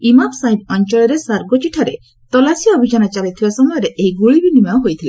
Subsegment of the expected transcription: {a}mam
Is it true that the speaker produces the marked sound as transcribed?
no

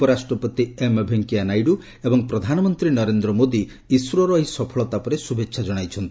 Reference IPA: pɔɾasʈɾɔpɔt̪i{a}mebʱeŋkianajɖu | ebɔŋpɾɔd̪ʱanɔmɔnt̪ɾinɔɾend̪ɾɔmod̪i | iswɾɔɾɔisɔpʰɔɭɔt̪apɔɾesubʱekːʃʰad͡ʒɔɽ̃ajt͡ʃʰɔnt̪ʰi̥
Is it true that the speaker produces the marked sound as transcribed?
no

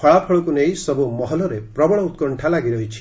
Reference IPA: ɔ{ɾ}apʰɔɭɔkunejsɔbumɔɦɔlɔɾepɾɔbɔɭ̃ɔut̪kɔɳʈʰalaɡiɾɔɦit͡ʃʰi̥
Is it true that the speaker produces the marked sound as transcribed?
no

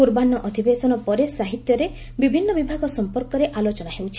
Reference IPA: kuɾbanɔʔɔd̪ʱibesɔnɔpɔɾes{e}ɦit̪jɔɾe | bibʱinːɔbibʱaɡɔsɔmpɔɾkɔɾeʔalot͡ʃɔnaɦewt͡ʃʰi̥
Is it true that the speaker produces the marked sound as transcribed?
no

